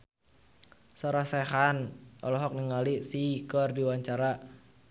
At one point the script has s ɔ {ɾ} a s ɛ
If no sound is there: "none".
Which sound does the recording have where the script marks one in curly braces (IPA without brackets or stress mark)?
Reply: ɾ